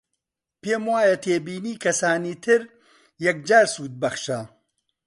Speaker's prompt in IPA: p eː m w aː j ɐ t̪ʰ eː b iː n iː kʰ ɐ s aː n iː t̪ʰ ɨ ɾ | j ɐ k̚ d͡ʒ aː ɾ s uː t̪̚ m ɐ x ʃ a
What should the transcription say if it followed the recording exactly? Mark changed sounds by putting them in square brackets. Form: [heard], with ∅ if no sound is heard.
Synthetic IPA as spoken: p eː m w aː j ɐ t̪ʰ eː b iː n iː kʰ ɐ s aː n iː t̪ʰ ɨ ɾ | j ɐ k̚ d͡ʒ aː ɾ s uː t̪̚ [b] ɐ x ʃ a